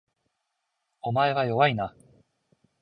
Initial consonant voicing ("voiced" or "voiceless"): voiced